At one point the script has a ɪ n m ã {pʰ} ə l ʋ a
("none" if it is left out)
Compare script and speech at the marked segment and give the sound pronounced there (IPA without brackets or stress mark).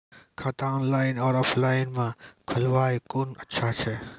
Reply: kʰ